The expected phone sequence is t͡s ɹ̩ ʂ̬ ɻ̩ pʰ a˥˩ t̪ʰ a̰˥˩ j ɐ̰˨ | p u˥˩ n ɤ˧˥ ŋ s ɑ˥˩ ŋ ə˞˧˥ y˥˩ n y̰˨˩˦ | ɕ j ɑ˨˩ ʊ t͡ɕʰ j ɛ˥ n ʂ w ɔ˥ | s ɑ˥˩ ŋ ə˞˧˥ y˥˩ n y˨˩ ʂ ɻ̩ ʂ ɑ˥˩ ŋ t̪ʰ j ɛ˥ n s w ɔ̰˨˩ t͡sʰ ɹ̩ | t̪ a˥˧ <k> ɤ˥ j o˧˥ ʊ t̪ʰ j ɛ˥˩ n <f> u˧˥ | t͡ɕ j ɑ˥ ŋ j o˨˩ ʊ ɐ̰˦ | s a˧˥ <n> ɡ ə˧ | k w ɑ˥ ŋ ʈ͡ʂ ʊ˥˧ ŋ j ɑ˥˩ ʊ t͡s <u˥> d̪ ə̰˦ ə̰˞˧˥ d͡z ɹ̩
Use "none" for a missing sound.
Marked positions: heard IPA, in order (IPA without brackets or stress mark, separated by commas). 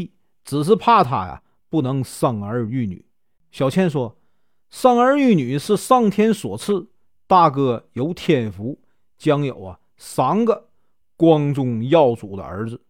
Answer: k, f, ŋ, u˨˩